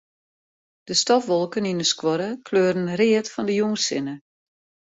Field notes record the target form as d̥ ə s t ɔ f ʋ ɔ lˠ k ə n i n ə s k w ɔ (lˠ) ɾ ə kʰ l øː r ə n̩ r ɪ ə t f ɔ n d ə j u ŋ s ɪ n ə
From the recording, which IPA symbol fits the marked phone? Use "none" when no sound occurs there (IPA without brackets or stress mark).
none